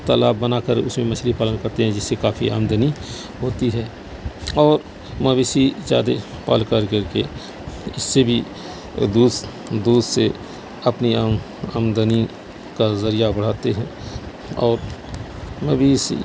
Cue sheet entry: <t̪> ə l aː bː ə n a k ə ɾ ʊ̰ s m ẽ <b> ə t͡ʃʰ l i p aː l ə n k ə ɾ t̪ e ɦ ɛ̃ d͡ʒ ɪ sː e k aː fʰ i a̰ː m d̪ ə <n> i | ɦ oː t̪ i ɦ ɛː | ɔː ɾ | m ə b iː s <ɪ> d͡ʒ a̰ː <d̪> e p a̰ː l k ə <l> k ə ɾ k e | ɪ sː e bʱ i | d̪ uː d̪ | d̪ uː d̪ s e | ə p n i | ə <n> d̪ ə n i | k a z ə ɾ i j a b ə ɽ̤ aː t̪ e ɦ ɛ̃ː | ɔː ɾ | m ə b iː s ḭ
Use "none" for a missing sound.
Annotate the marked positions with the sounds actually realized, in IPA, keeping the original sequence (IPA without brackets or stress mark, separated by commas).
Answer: t̪, m, n, i, d̪, ɾ, m